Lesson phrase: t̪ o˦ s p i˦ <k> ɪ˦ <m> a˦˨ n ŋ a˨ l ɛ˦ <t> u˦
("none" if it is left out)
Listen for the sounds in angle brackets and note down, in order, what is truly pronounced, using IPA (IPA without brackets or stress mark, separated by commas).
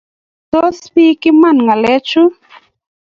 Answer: k, m, t͡ʃ